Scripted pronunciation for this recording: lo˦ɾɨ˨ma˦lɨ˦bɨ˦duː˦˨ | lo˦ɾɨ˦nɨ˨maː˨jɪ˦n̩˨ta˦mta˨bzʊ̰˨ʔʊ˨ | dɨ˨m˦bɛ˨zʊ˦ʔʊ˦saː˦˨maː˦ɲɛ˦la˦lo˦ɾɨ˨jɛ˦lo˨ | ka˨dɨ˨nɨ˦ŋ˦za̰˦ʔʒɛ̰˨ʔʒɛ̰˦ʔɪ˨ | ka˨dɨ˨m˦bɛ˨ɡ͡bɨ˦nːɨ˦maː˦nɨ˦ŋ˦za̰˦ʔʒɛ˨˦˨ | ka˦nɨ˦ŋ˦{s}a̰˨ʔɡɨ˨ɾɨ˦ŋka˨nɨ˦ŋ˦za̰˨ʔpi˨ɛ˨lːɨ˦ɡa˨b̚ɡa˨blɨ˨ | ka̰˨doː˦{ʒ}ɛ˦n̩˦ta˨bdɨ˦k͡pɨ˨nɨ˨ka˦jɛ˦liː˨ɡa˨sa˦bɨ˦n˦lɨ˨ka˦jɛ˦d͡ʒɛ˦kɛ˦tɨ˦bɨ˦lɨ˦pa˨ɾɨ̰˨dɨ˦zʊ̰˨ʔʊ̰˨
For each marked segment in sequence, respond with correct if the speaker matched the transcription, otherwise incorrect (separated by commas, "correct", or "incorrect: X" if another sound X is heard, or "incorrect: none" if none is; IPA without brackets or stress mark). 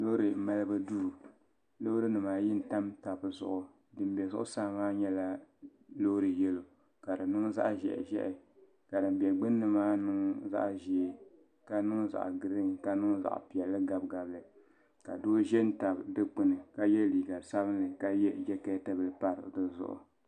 incorrect: z, correct